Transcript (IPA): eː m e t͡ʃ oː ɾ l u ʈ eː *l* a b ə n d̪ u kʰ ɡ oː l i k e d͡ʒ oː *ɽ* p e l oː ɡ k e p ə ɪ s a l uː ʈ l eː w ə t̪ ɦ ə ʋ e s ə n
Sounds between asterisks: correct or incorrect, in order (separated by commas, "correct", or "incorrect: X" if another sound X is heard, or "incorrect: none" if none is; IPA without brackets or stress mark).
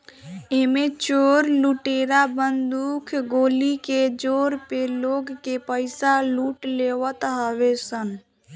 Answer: incorrect: ɾ, incorrect: ɾ